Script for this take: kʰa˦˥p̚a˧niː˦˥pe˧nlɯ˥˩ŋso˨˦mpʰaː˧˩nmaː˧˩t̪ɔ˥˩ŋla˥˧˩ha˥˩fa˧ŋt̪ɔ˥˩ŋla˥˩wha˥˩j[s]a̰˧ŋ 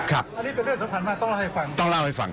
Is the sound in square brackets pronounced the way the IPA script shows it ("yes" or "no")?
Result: no